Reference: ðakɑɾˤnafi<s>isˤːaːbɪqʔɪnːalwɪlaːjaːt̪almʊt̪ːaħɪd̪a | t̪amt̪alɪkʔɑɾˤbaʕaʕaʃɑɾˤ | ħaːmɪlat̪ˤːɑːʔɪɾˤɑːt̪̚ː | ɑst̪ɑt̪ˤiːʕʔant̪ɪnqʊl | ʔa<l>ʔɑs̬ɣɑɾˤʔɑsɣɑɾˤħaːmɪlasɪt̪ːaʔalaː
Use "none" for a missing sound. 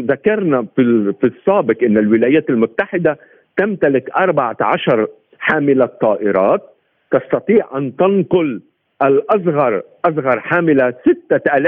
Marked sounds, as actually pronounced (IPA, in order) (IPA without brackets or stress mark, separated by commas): f, l